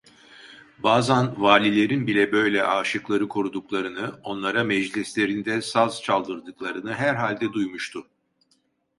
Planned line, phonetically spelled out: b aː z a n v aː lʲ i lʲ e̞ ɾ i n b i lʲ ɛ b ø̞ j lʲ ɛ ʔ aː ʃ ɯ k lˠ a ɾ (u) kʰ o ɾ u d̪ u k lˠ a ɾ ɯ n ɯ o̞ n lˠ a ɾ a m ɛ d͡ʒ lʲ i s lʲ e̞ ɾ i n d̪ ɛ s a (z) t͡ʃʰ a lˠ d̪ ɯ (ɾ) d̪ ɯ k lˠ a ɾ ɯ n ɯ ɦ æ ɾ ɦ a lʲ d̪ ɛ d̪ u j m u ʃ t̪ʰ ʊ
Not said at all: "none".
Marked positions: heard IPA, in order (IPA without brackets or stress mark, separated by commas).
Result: ɯ, z, ɾ